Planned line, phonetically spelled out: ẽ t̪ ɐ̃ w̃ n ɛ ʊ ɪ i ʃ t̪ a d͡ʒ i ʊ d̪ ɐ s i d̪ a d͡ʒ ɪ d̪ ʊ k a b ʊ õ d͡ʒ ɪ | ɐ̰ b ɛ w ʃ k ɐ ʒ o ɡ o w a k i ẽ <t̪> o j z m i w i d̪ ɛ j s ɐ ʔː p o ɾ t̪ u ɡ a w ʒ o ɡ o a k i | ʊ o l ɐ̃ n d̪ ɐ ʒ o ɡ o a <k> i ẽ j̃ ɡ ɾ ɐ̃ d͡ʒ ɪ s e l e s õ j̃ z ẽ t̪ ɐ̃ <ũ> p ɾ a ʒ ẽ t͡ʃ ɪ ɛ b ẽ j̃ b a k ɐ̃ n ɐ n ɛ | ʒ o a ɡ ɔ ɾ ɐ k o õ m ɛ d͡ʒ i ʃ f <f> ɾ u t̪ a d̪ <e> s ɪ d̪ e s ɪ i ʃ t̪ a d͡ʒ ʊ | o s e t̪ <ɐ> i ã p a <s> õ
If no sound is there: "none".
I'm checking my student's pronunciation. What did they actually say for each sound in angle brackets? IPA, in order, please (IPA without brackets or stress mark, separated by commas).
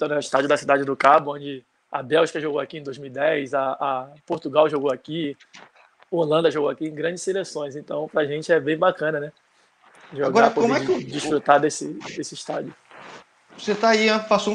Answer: d̪, k, w̃, f, e, a, s